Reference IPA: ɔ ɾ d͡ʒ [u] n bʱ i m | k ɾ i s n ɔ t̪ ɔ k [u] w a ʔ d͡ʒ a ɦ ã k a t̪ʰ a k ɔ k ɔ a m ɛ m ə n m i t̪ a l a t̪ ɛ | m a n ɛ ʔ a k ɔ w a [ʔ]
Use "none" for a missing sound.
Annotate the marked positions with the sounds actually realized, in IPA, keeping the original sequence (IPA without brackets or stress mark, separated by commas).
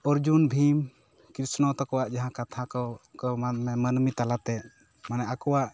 u, ɔ, ʔ